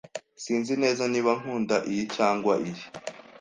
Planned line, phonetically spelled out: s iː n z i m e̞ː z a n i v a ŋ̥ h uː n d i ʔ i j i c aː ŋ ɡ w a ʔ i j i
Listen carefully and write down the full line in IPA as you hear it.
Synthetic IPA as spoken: s iː n z i n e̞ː z a n i β a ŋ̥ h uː n d a ʔ i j i c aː ŋ ɡ w a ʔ i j i